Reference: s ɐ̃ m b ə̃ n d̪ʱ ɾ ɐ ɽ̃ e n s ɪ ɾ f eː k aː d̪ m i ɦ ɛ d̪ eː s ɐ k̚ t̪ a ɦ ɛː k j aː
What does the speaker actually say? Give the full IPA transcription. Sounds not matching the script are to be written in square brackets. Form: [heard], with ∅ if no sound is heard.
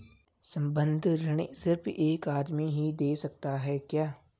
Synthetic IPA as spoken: s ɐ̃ m b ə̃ n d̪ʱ ɾ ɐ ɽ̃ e [∅] s ɪ ɾ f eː k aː d̪ m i ɦ [i] d̪ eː s ɐ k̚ t̪ a ɦ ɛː k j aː